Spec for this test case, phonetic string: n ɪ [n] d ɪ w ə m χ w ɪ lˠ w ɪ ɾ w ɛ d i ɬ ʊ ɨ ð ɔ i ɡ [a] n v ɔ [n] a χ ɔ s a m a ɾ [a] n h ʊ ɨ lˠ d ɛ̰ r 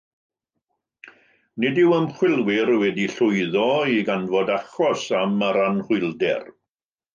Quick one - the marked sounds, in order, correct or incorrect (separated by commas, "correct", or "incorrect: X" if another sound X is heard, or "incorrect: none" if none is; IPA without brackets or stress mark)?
incorrect: none, correct, incorrect: d, correct